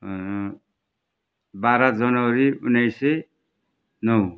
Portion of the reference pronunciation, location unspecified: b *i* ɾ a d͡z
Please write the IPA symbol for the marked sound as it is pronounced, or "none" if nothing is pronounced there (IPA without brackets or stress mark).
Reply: a